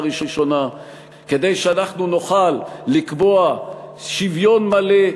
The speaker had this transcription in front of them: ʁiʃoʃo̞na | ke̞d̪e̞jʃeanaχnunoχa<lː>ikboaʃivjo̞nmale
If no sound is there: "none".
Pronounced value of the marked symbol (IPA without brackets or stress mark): lː